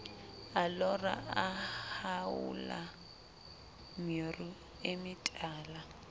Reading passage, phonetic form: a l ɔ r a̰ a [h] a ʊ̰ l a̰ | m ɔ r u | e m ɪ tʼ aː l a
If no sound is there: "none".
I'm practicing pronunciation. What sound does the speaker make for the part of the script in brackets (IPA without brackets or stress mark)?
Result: h